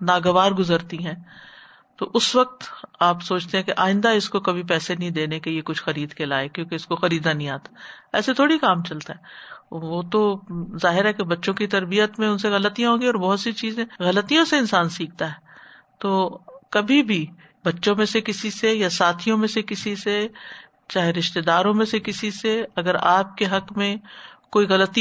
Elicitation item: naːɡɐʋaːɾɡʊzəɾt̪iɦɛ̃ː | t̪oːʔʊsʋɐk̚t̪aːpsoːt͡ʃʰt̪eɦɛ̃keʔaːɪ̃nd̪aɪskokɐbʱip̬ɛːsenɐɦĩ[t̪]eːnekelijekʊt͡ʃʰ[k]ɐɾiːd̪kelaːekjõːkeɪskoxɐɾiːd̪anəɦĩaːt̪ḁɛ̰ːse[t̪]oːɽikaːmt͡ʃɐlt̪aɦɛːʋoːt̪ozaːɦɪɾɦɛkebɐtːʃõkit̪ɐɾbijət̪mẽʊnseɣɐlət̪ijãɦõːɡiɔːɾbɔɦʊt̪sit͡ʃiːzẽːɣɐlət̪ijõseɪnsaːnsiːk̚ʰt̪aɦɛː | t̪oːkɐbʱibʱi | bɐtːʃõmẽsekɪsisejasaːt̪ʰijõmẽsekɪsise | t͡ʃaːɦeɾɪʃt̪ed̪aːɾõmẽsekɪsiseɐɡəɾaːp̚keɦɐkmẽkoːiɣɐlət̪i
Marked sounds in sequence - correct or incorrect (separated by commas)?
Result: incorrect, incorrect, incorrect